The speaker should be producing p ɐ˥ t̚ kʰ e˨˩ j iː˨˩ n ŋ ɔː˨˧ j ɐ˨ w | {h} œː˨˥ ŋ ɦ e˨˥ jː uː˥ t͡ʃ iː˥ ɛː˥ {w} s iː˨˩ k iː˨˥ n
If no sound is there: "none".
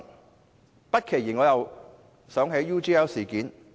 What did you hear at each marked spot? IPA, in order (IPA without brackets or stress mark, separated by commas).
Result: s, w